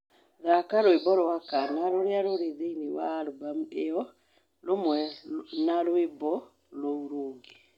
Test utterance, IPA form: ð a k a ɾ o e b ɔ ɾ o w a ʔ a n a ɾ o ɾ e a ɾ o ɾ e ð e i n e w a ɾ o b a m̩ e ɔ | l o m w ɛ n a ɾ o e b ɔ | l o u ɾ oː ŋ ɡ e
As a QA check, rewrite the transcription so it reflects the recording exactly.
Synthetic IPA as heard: ð a k a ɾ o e b ɔ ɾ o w a k a n a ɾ o ɾ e a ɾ o ɾ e ð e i n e w a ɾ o b a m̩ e ɔ | l o m w ɛ n a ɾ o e b ɔ | l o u ɾ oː ŋ ɡ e